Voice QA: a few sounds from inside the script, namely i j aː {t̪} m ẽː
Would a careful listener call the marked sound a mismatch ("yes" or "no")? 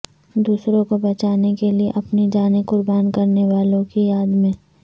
yes